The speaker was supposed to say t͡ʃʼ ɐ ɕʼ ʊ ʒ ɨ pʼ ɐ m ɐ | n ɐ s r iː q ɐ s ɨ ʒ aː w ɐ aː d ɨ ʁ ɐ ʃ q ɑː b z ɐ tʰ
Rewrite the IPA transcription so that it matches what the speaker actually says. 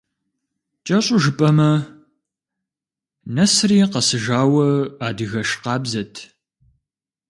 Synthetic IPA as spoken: t͡ʃʼ ɐ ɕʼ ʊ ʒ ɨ pʼ ɐ m ɐ | n ɐ s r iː q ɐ s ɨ ʒ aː w ɐ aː d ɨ ɣ ɐ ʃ q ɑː b z ɐ tʰ